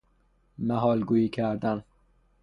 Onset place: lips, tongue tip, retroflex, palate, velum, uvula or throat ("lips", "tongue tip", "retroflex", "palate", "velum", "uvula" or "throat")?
lips